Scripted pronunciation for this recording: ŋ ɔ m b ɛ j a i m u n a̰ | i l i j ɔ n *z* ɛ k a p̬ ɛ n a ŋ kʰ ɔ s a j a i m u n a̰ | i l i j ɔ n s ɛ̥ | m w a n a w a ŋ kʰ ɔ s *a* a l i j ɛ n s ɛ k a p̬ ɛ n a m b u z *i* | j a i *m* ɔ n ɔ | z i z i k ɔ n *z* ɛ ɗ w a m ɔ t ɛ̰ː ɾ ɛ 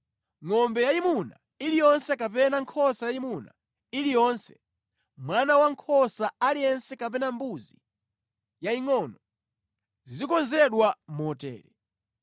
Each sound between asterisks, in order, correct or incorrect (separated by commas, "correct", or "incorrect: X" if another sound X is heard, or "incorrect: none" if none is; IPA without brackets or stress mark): incorrect: s, correct, correct, incorrect: ŋ, correct